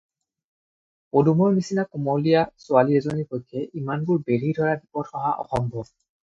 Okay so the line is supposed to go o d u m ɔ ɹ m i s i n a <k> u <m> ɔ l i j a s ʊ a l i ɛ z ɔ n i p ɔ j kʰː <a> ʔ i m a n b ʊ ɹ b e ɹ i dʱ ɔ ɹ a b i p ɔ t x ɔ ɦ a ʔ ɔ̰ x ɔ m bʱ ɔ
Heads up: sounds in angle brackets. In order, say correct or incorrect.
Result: correct, correct, incorrect: ɛ

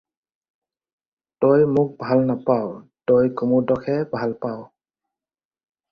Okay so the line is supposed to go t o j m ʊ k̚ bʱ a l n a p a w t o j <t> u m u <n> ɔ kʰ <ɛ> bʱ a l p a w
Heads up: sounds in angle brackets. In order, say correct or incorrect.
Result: incorrect: k, incorrect: d, correct

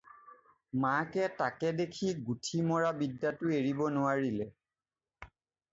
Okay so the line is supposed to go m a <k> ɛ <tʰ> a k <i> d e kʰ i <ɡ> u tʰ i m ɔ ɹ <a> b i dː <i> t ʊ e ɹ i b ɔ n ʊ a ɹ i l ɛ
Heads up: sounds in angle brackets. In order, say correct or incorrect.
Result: correct, incorrect: t, incorrect: ɛ, correct, correct, incorrect: a

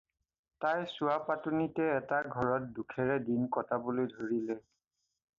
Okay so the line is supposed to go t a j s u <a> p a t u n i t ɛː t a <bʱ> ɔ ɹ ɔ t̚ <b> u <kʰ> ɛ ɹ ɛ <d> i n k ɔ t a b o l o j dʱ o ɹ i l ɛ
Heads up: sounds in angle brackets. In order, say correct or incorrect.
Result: correct, incorrect: ɡʱ, incorrect: d, correct, correct

